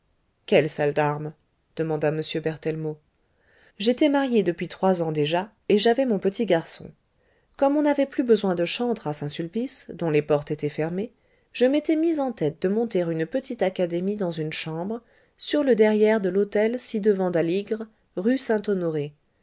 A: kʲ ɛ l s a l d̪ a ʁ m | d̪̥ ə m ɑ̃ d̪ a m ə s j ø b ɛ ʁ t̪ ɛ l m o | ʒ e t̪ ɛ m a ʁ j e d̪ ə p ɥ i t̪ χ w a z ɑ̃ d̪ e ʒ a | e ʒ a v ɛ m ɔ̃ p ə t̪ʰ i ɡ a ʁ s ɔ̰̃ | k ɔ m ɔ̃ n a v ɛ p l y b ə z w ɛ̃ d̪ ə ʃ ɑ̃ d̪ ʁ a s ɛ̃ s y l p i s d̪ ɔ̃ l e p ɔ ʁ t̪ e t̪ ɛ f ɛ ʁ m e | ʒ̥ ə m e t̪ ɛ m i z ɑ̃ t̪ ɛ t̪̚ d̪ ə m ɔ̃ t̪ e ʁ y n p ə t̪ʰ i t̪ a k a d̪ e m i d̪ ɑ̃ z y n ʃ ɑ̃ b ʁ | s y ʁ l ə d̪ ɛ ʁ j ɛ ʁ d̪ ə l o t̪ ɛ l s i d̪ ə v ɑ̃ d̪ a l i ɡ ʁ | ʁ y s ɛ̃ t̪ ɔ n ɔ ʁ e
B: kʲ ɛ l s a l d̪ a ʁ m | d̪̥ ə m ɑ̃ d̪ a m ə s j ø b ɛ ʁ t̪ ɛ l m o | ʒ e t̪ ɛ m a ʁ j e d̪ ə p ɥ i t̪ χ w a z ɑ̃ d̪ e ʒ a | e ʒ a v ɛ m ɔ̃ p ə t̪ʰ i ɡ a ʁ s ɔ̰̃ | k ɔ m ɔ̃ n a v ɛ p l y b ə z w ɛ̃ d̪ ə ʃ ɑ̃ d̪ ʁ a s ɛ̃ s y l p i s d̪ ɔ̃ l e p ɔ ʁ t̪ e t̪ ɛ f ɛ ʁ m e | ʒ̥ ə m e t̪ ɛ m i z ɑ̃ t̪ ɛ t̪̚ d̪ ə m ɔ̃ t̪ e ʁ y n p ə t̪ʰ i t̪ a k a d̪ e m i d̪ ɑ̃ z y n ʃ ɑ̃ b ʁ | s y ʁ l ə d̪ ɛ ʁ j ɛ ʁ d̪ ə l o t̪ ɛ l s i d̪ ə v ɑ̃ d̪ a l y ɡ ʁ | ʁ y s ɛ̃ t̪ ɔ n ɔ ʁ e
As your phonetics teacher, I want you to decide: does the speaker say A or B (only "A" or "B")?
A